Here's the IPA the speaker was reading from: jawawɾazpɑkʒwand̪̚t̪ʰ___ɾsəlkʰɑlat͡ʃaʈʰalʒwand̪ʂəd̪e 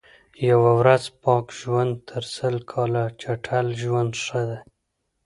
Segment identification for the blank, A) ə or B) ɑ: A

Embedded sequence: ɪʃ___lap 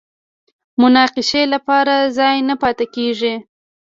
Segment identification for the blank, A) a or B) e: B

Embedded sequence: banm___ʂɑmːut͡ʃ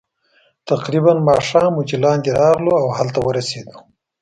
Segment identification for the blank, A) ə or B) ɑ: B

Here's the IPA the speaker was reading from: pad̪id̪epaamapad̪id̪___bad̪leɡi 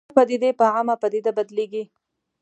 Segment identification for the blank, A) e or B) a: B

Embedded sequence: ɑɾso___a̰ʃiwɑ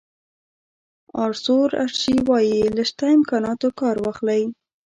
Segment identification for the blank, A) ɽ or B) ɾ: B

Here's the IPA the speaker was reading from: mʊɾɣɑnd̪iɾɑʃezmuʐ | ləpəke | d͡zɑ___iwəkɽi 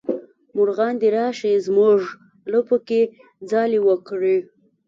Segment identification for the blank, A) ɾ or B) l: B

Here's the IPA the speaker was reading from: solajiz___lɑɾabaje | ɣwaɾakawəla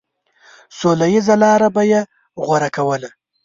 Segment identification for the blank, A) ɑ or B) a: B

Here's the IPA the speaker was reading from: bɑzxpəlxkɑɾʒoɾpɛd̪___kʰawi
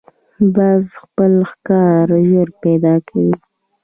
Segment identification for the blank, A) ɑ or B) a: A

